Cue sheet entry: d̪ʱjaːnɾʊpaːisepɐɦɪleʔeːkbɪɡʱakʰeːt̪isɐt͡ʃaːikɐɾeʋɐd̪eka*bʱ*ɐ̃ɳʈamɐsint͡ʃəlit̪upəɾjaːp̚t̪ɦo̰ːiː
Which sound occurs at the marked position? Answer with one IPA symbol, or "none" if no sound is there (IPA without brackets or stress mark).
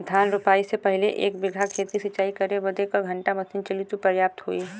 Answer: ɡʱ